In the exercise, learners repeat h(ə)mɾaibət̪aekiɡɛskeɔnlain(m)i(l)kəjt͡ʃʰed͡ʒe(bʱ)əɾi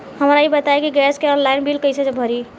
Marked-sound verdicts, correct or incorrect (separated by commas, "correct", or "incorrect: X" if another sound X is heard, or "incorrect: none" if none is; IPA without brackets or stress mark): correct, incorrect: b, correct, correct